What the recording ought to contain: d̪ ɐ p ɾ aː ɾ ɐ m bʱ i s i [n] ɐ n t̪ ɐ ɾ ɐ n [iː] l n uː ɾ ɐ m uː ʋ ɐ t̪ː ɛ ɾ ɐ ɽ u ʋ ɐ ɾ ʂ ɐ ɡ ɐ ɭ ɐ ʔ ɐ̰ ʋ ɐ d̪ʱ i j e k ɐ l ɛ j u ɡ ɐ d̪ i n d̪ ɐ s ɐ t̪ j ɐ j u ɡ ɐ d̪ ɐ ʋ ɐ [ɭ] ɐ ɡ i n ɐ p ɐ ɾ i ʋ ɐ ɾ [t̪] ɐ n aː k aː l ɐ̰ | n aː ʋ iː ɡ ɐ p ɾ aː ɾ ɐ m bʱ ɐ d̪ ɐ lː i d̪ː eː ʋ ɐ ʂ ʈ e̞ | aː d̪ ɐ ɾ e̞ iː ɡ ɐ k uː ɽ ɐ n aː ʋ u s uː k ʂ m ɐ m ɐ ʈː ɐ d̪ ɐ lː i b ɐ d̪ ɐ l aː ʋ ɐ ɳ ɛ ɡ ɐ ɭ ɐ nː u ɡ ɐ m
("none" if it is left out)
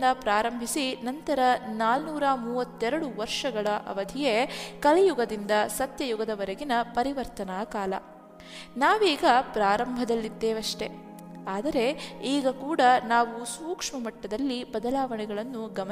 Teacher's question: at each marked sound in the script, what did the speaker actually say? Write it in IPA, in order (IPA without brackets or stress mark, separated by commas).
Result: n, aː, ɾ, t̪